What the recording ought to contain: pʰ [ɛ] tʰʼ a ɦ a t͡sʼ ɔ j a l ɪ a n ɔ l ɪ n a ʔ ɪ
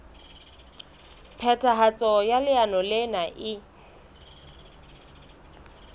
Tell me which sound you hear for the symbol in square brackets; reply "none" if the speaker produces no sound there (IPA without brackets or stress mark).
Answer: ɛ